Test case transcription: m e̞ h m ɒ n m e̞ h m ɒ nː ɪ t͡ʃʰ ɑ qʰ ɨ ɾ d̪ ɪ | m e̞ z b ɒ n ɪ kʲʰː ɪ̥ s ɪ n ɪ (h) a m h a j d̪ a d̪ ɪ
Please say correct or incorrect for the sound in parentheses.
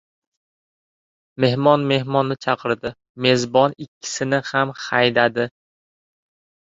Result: correct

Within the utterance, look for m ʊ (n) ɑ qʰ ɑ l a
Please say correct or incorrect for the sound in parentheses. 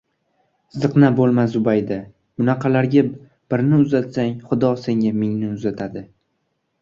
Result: correct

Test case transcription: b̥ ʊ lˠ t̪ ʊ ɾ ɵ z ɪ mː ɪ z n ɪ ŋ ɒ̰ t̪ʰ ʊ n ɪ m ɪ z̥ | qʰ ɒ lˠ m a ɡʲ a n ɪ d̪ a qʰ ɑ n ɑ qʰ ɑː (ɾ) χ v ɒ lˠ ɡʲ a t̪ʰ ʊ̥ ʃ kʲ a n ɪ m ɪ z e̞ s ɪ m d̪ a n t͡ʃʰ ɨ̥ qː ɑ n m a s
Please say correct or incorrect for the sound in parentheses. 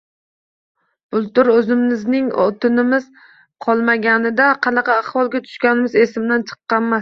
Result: incorrect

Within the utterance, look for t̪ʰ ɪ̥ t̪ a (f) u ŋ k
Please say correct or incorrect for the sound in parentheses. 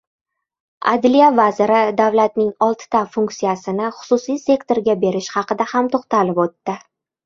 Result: correct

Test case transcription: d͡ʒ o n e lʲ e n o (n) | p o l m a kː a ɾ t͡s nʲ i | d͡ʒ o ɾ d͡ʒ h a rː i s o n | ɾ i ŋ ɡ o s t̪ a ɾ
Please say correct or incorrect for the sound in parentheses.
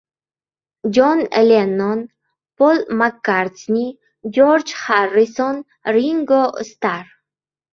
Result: correct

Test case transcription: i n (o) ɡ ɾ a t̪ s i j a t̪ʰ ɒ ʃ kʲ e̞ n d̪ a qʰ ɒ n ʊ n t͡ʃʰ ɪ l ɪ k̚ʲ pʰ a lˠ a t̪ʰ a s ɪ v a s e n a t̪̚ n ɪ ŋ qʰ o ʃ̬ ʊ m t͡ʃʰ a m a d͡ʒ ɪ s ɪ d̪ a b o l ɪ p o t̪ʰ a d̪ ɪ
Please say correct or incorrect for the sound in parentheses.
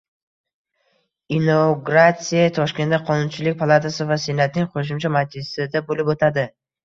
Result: correct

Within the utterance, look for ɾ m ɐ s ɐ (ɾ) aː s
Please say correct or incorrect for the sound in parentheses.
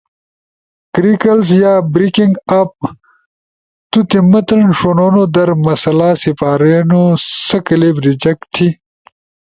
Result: incorrect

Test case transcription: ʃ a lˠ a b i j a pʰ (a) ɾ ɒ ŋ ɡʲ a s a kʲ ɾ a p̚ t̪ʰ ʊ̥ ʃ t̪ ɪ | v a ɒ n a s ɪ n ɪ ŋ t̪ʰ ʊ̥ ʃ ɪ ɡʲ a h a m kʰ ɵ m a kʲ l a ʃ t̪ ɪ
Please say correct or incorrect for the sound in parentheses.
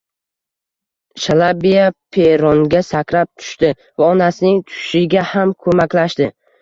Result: incorrect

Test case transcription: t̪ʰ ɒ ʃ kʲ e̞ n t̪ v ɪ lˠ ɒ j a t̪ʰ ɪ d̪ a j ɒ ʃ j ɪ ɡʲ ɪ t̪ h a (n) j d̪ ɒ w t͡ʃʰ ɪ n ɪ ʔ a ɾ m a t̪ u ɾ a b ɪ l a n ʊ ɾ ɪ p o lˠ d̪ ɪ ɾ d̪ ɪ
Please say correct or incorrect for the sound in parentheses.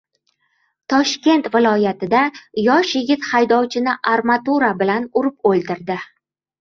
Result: incorrect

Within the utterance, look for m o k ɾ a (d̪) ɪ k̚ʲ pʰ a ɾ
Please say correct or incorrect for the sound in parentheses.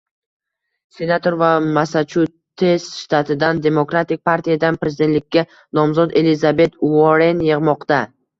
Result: incorrect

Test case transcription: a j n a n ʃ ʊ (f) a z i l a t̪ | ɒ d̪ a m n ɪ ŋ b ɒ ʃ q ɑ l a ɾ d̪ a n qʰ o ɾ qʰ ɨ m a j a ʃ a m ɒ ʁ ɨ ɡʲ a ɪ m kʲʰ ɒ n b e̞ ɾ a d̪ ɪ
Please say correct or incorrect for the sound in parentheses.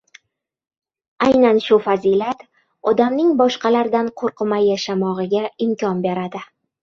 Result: correct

